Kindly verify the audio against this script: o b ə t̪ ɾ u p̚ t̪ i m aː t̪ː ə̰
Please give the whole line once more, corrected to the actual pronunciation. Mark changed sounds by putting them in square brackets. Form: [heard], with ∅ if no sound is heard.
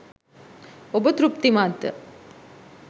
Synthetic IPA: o b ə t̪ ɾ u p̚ t̪ i m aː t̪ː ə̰